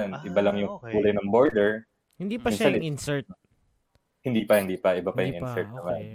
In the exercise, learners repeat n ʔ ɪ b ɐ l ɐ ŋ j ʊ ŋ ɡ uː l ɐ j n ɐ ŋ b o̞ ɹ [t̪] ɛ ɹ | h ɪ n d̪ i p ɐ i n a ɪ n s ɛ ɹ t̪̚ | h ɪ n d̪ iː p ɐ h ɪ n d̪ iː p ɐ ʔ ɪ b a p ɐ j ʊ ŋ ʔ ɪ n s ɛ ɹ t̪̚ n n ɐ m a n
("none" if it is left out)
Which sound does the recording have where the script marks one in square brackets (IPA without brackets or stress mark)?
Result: d̪